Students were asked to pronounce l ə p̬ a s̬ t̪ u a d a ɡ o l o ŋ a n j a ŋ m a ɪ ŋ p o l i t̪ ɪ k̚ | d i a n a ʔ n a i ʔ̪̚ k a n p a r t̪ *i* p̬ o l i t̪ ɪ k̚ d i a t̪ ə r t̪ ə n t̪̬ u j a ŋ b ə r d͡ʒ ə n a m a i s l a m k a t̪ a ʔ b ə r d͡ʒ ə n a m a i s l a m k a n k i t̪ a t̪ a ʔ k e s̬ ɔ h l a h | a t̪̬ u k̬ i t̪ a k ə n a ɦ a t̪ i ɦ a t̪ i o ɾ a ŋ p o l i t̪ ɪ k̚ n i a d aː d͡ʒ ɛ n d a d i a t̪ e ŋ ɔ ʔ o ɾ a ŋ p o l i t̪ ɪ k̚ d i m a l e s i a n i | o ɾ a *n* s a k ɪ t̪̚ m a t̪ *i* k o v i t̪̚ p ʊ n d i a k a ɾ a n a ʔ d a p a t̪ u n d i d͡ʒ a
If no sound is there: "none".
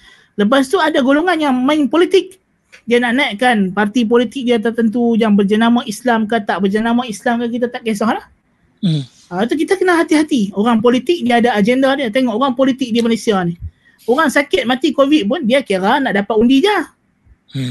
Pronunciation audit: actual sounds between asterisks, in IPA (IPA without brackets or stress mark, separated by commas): i, ŋ, i